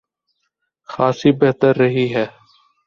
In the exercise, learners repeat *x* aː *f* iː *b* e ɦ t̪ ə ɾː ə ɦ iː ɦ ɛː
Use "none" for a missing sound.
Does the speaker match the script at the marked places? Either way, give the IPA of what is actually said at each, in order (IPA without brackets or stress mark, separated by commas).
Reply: x, s, b